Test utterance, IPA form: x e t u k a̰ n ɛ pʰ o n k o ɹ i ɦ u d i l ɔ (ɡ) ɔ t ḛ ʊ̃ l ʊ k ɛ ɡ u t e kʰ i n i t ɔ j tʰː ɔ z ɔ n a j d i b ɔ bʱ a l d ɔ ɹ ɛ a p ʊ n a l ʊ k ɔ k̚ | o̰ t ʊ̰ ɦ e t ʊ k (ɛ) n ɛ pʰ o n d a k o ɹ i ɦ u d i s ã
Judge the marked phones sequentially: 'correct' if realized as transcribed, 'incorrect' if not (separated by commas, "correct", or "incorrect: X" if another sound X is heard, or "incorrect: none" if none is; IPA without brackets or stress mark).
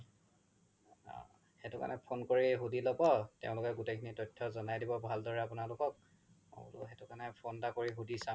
incorrect: b, incorrect: a